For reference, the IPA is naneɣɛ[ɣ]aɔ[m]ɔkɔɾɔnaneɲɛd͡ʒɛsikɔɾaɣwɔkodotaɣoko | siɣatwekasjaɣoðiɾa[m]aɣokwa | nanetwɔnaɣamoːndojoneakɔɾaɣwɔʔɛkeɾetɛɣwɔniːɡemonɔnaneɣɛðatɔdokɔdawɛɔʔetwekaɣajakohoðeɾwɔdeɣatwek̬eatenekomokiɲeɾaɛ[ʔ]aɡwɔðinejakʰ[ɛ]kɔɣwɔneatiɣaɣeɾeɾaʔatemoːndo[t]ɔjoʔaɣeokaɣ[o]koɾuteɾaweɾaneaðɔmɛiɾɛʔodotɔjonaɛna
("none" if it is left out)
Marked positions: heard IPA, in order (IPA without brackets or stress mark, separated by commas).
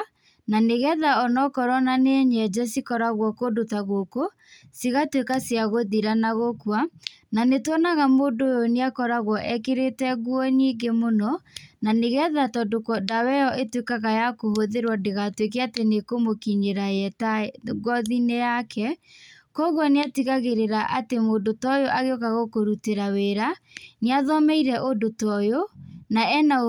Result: ð, n, n, t, ɛ, t, o